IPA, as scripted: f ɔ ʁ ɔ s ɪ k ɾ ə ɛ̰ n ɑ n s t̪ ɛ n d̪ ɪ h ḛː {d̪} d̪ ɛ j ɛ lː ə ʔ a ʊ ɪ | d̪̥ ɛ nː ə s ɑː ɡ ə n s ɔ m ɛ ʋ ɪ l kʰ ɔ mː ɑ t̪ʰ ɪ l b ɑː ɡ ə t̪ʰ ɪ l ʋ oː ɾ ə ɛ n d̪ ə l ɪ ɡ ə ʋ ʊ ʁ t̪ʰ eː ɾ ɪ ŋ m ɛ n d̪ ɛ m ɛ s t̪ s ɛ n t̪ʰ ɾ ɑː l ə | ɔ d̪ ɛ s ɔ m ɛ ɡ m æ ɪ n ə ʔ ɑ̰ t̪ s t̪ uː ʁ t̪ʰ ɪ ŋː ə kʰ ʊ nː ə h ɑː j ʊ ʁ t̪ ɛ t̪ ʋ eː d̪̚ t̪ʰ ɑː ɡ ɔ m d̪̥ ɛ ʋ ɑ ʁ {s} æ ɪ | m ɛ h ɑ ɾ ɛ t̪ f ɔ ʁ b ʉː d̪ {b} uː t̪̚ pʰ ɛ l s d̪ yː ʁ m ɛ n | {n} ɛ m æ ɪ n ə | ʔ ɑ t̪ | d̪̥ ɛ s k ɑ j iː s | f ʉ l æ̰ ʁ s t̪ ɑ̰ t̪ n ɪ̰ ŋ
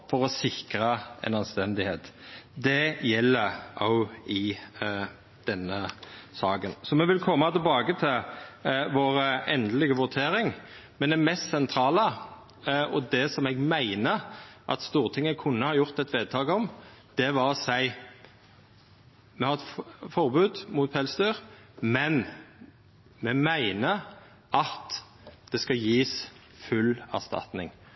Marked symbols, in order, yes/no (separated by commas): no, yes, no, no